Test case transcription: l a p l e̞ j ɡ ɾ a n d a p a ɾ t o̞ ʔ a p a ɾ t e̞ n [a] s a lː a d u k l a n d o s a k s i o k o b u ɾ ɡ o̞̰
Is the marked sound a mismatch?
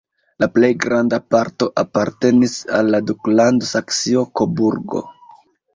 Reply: yes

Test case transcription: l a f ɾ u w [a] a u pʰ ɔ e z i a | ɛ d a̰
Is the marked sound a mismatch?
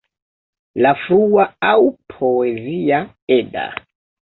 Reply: no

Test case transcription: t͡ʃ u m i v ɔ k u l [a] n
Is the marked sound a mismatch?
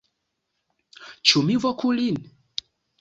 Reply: yes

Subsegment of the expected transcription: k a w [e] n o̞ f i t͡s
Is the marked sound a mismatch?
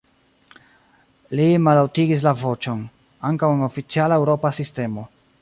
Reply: no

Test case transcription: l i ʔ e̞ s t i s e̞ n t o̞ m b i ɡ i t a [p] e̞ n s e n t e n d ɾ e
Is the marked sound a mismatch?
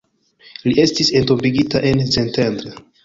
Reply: yes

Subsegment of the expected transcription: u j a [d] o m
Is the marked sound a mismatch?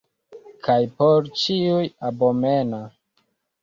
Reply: yes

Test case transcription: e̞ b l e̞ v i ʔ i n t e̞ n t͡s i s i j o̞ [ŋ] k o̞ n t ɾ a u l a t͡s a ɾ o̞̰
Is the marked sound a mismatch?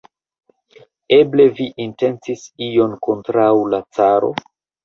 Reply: yes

